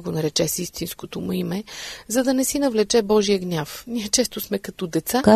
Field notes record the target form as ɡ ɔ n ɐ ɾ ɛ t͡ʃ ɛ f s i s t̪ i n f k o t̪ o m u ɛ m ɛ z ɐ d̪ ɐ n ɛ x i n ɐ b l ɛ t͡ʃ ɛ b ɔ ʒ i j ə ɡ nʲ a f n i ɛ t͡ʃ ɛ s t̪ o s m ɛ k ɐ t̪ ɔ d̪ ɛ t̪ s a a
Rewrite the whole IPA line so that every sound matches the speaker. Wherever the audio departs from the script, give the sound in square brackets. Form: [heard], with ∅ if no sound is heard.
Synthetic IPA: ɡ [o] n ɐ ɾ ɛ t͡ʃ ɛ [∅] s i s t̪ i n [s] k o t̪ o m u [i] m ɛ z ɐ d̪ ɐ n ɛ [s] i n ɐ [v] l ɛ t͡ʃ ɛ b ɔ ʒ i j ə ɡ nʲ a f n i ɛ t͡ʃ ɛ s t̪ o s m ɛ k ɐ t̪ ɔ d̪ ɛ t̪ s a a